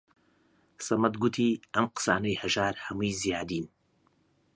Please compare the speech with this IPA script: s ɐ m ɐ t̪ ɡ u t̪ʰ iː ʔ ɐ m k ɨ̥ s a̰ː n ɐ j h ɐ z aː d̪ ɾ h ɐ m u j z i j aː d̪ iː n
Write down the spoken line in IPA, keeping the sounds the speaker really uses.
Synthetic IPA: s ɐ m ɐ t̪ ɡ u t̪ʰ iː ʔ ɐ m q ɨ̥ s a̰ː n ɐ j h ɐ ʒ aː ɾ h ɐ m u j z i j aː d̪ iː n